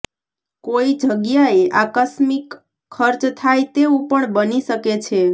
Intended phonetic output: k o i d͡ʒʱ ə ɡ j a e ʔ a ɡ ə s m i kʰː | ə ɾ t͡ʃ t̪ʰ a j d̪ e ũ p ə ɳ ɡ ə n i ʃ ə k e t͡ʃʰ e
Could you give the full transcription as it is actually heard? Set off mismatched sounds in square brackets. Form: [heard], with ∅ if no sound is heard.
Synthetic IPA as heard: k o i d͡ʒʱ ə ɡ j a e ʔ a [k] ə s m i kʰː | ə ɾ t͡ʃ t̪ʰ a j [t̪] e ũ p ə ɳ [b] ə n i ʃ ə k e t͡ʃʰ e